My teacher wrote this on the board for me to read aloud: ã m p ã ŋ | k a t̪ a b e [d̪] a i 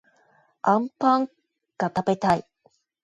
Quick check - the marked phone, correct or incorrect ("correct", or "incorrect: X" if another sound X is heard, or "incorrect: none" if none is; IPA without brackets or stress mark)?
incorrect: t̪